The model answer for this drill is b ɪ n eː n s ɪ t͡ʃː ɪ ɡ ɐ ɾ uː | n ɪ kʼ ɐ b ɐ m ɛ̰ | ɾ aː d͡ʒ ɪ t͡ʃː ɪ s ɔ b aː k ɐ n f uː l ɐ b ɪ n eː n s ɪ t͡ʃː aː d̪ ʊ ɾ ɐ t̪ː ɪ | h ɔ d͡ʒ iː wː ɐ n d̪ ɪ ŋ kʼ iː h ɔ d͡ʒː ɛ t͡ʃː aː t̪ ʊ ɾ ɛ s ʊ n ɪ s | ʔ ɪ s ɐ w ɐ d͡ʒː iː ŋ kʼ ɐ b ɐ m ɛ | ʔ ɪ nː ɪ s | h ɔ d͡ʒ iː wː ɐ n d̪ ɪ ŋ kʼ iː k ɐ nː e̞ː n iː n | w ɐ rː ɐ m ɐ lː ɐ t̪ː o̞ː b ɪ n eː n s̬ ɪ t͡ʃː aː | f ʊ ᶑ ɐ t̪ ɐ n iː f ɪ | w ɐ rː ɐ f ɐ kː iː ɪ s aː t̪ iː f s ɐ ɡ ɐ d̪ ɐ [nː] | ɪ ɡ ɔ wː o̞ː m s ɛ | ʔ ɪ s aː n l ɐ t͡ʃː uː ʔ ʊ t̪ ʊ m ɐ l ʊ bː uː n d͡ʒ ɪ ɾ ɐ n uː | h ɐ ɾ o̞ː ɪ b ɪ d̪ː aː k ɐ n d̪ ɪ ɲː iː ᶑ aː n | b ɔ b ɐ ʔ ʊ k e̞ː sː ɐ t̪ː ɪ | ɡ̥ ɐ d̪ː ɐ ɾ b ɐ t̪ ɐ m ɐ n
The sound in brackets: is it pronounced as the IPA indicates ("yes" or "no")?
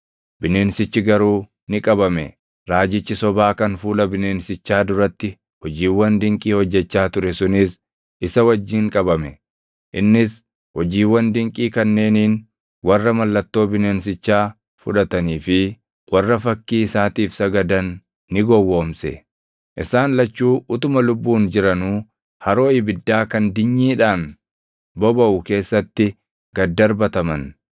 yes